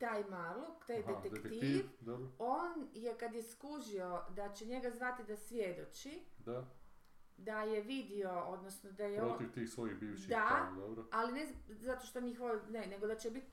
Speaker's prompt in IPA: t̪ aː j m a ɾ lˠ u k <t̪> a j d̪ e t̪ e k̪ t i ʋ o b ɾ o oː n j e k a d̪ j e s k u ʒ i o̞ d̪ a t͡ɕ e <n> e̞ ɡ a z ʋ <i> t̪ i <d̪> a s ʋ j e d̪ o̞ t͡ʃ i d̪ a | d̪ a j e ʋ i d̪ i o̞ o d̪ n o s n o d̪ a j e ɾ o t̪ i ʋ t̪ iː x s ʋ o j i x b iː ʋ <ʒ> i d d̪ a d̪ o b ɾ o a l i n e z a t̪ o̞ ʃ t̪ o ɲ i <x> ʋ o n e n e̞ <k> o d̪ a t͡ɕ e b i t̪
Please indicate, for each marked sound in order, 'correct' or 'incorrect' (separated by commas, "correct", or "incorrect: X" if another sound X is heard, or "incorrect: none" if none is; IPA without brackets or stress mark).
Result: correct, incorrect: ɲ, incorrect: a, correct, incorrect: ʃ, correct, incorrect: ɡ